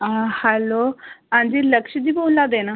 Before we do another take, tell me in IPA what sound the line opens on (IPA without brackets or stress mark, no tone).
h